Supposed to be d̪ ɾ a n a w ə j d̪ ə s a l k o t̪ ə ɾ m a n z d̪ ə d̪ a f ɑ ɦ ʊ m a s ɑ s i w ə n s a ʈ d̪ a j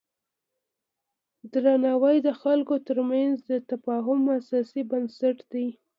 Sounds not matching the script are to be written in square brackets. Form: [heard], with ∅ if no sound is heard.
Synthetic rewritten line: d̪ ɾ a n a w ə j d̪ ə [x] a l k o t̪ ə ɾ m a n z d̪ ə [t̪] a f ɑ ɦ ʊ m a s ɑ s i [b] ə n s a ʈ d̪ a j